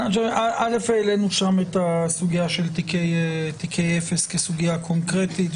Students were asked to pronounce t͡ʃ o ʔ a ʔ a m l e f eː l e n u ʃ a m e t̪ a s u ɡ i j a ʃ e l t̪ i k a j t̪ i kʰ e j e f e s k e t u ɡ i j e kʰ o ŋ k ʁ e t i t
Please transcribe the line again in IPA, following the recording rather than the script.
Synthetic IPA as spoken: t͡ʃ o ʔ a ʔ a l e f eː l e n u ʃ a m e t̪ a s u ɡ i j a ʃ e l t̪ i k e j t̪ i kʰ e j e f e s k e s u ɡ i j a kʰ o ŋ k ʁ e t i t

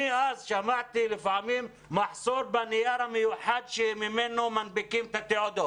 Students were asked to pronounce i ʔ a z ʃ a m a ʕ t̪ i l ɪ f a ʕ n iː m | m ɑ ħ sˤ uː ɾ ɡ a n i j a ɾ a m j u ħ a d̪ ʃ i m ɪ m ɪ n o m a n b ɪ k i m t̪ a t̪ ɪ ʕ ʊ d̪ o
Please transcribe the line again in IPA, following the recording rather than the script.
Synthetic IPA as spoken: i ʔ a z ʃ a m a ʕ t̪ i l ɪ f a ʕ m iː m | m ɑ ħ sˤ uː ɾ b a n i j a ɾ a m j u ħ a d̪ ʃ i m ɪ m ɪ n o m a n b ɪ k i m t̪ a t̪ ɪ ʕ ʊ d̪ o

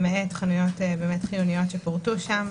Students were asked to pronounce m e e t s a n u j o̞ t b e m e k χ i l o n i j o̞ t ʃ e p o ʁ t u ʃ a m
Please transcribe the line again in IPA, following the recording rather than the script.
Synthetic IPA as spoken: m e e t χ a n u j o̞ t b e m e t χ i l u n i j o̞ t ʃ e p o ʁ t u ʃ a m

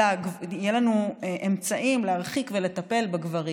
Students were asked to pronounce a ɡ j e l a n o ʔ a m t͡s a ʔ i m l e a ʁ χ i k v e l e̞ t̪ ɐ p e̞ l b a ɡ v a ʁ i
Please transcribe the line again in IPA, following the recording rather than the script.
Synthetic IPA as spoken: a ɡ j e l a n u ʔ e m t͡s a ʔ i m l e a ʁ χ i k v e l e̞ t̪ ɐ p e̞ l b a ɡ v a ʁ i

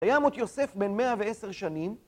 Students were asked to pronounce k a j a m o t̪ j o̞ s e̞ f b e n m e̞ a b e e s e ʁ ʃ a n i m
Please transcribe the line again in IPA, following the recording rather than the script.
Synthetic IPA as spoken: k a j a m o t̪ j o̞ s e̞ f b e n m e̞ a v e e s e ʁ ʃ a n i m

